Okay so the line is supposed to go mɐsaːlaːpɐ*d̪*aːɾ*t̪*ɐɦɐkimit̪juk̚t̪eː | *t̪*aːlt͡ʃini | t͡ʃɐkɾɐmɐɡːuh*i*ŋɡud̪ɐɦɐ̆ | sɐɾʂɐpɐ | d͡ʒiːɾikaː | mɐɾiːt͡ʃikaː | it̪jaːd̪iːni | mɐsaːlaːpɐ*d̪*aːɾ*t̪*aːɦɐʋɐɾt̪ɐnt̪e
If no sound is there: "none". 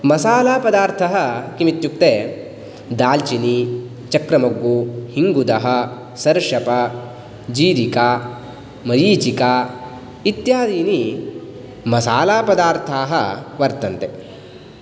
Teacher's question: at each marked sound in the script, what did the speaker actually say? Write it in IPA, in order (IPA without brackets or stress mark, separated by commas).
d̪, t̪ʰ, d̪, i, d̪, t̪ʰ